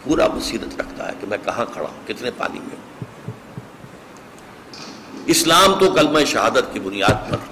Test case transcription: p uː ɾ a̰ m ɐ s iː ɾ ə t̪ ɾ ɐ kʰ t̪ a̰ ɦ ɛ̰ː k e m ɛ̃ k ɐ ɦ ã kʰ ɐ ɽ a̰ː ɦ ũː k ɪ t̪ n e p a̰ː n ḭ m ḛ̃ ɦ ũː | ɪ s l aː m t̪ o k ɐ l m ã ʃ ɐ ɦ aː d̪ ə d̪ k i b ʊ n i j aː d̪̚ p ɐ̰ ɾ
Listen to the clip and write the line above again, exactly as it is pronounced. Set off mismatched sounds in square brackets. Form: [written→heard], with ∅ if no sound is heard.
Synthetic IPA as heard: p uː ɾ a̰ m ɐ s iː ɾ ə t̪ ɾ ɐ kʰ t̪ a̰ ɦ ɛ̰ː k e m ɛ̃ k ɐ ɦ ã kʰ ɐ ɽ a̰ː ɦ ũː k ɪ t̪ n e p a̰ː n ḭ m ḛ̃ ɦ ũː | ɪ s l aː m t̪ o k ɐ l m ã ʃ ɐ ɦ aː d̪ ə [d̪→t̪] k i b ʊ n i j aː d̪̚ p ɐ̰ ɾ